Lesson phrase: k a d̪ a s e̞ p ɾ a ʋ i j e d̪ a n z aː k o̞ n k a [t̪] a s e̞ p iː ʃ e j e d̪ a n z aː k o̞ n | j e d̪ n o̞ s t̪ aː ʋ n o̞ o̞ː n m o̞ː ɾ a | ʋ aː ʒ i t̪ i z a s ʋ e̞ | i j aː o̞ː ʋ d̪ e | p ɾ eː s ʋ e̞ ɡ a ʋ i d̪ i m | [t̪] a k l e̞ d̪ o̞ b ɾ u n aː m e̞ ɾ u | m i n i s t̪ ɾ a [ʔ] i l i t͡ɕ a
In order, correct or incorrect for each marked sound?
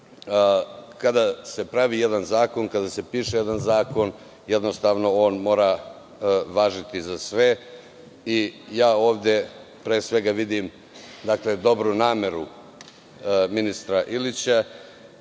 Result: incorrect: d̪, incorrect: d̪, correct

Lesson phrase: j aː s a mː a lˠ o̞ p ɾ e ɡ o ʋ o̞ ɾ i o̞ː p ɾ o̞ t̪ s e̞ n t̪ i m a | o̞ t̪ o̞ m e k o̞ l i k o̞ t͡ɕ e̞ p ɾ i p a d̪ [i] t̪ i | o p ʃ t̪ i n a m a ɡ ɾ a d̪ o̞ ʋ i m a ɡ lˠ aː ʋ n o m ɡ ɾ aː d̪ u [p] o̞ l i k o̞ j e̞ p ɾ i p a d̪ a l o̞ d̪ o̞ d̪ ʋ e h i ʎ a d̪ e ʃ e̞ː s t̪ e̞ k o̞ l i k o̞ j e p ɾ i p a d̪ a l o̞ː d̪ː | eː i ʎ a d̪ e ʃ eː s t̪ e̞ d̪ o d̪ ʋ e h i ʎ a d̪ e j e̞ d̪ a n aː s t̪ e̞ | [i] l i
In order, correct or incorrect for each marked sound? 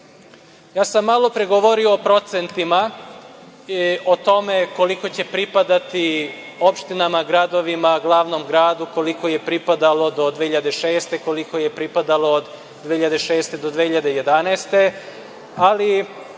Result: incorrect: a, incorrect: k, incorrect: a

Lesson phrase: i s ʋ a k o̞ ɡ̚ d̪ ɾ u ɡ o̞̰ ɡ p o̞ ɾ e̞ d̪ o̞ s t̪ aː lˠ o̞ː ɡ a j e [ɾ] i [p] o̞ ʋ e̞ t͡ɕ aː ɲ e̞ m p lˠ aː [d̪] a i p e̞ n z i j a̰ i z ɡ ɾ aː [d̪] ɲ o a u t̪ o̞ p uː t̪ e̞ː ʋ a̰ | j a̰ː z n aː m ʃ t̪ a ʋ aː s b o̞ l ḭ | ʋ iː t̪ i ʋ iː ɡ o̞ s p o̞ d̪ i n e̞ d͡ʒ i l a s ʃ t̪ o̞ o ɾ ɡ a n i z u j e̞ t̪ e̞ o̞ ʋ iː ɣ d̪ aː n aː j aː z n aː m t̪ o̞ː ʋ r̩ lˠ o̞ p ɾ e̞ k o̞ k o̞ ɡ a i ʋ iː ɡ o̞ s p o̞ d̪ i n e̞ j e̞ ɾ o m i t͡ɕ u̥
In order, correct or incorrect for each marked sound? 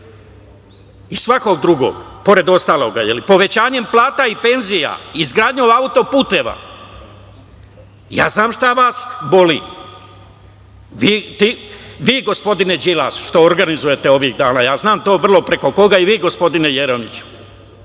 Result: incorrect: l, correct, incorrect: t̪, correct

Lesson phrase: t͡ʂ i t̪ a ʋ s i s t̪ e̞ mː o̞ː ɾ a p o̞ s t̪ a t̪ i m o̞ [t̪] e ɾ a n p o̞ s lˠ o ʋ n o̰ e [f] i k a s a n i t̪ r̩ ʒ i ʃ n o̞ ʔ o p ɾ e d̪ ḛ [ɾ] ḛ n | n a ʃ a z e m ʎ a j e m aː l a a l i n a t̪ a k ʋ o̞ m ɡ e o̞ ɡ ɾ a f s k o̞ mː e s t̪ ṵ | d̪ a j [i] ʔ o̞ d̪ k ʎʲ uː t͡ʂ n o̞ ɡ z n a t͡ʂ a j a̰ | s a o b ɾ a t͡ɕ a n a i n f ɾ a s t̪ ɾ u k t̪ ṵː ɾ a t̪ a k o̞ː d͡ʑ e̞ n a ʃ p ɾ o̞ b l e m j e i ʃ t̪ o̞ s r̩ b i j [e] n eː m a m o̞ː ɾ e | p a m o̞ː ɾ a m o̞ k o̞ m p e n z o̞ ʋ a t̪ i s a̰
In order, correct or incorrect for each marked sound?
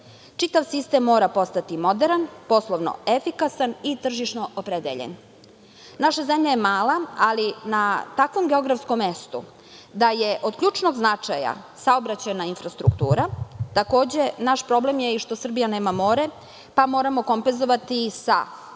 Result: incorrect: d̪, correct, incorrect: ʎ, incorrect: e, incorrect: a

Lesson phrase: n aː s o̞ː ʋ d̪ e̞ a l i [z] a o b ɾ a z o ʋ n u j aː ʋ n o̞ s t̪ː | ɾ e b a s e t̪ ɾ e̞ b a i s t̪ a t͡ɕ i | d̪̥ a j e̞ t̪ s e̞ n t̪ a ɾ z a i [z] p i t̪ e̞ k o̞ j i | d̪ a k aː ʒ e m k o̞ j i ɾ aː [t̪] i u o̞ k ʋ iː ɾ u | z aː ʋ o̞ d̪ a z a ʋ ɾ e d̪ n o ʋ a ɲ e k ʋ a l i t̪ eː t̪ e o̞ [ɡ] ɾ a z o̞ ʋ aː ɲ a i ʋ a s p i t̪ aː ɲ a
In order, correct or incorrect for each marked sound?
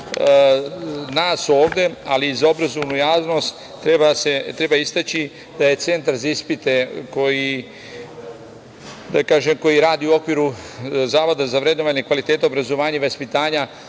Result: correct, incorrect: s, incorrect: d̪, incorrect: b

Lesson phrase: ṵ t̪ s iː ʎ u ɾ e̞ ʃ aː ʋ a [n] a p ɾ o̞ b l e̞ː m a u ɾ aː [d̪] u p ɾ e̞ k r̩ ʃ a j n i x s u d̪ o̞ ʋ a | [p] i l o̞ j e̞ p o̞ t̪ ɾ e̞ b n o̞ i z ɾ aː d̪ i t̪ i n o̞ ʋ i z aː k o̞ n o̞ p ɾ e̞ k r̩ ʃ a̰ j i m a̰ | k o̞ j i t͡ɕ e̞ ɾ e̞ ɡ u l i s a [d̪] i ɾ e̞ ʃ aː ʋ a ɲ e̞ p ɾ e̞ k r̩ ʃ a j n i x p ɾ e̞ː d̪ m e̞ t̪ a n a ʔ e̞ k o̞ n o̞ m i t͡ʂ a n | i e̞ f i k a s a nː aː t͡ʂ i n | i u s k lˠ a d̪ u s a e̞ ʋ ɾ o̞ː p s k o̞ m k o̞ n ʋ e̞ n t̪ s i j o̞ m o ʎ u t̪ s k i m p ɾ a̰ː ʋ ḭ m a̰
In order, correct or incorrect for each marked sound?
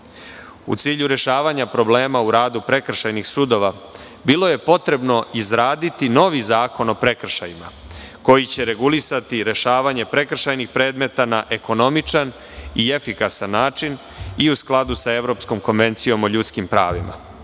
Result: incorrect: ɲ, correct, incorrect: b, incorrect: t̪

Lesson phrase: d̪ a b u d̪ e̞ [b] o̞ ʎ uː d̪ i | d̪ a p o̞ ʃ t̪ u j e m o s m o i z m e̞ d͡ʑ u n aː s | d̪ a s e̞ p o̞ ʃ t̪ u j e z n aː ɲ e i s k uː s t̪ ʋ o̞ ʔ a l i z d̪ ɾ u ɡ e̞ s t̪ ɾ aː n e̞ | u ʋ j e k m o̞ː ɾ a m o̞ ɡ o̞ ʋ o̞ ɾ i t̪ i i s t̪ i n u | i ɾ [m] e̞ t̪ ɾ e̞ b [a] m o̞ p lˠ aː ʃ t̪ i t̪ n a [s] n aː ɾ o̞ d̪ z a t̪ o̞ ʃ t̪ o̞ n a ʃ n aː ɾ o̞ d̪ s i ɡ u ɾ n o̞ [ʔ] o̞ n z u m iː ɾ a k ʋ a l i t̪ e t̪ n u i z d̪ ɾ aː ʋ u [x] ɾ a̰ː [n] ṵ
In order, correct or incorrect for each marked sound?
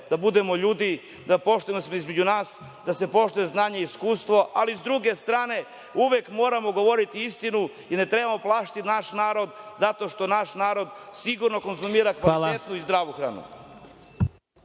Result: incorrect: m, incorrect: n, correct, incorrect: ʃ, incorrect: k, correct, correct

